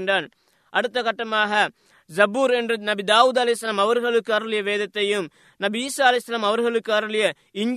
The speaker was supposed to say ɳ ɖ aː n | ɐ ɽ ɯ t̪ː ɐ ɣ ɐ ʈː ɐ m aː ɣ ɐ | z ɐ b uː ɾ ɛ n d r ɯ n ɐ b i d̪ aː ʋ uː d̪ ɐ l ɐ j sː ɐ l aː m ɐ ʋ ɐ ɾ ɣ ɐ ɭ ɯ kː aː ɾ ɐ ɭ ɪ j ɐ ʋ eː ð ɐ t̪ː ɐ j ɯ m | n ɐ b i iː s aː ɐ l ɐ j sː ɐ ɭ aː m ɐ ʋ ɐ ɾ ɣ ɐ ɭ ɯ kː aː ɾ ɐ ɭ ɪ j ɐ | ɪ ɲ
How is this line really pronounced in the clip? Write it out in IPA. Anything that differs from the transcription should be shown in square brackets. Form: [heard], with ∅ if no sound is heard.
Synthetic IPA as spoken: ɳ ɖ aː n | ɐ ɽ ɯ t̪ː ɐ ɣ ɐ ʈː ɐ m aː ɣ ɐ | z ɐ b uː ɾ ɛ n d r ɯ n ɐ b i d̪ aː ʋ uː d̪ ɐ l ɐ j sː ɐ l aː m ɐ ʋ ɐ ɾ ɣ ɐ ɭ ɯ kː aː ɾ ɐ ɭ ɪ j ɐ ʋ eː ð ɐ t̪ː ɐ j ɯ m | n ɐ b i iː s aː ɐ l ɐ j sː ɐ [l] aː m ɐ ʋ ɐ ɾ ɣ ɐ ɭ ɯ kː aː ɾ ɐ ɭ ɪ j ɐ | ɪ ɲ